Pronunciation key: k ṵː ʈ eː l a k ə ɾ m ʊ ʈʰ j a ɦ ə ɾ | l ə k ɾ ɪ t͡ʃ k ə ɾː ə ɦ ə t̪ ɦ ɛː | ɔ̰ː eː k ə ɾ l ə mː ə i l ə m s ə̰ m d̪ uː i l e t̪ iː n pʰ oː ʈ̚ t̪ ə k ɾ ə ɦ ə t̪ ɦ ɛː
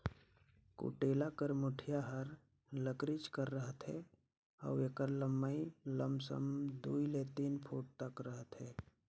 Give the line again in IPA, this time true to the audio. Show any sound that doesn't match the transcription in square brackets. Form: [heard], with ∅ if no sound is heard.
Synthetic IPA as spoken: k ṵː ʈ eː l a k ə ɾ m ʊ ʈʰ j a ɦ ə ɾ | l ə k ɾ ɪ t͡ʃ k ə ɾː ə ɦ ə t̪ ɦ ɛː | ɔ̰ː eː k ə ɾ l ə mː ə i l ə m s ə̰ m d̪ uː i l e t̪ iː n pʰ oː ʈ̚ t̪ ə k ɾ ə ɦ ə t̪ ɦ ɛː